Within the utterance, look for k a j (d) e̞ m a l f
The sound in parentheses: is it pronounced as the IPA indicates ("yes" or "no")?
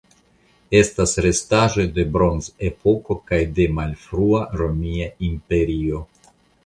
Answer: yes